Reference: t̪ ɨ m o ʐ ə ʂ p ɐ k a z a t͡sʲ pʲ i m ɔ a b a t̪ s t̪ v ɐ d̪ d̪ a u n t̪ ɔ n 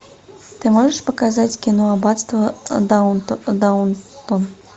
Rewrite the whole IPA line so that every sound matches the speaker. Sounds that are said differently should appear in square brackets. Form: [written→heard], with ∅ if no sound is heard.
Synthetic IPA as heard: t̪ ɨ m [o→ɔ] ʐ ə ʂ p ɐ k a z a t͡sʲ [pʲ→kʲ] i [m→n] ɔ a b a t̪ s t̪ v ɐ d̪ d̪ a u n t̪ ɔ n